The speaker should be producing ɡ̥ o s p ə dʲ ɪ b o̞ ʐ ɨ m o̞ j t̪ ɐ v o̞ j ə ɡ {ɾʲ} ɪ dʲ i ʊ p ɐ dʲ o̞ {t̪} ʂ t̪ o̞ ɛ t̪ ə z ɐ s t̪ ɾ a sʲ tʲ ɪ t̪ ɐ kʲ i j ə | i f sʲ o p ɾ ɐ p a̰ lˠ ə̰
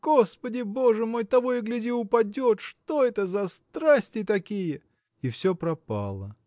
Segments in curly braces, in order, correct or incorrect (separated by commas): incorrect, correct